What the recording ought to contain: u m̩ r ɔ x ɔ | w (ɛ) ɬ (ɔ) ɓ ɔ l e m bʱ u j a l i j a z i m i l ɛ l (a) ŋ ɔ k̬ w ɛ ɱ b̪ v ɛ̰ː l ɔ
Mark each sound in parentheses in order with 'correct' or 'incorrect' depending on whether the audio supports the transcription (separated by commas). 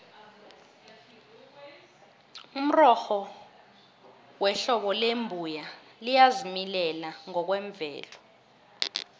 correct, correct, correct